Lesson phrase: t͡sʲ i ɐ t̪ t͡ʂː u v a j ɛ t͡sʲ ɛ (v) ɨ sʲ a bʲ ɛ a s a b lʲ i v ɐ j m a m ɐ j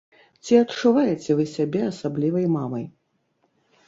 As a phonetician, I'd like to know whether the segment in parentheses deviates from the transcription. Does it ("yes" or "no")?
no